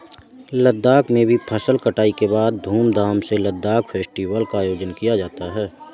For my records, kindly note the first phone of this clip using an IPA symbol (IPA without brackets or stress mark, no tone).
l